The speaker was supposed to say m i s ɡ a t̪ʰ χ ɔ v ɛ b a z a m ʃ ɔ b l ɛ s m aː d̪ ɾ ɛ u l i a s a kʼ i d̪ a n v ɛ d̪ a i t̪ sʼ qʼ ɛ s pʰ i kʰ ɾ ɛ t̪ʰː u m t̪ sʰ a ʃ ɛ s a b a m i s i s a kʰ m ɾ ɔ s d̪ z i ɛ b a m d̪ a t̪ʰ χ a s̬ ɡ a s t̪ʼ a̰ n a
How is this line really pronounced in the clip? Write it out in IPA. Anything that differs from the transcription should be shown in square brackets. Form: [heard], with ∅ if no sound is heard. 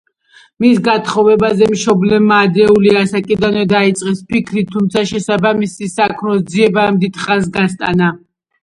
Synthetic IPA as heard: m i s ɡ a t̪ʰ χ ɔ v ɛ b a z [ɛ] m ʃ ɔ b l ɛ [∅] m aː d̪ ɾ ɛ u l i a s a kʼ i d̪ a n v ɛ d̪ a i t̪ sʼ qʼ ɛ s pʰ i kʰ ɾ [i] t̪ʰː u m t̪ sʰ a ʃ ɛ s a b a m i s i s a kʰ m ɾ ɔ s d̪ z i ɛ b a m d̪ [i] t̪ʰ χ a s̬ ɡ a s t̪ʼ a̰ n a